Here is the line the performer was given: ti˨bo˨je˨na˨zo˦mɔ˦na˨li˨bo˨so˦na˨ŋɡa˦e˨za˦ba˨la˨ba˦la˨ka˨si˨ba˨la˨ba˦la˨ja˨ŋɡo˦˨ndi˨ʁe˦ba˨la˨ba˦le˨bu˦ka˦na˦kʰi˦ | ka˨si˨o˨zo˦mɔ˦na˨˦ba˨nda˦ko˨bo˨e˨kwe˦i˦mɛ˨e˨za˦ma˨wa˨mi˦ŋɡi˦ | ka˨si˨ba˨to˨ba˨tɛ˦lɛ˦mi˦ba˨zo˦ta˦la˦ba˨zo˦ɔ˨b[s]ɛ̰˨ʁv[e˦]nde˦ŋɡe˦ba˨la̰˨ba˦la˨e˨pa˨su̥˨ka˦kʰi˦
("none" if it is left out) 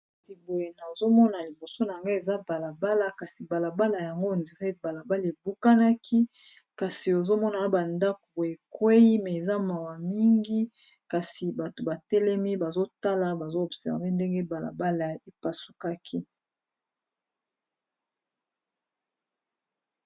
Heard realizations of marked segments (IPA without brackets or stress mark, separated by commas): s, e˦